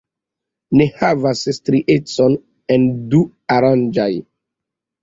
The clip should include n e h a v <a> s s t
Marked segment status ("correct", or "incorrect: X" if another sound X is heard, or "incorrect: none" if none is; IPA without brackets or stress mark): correct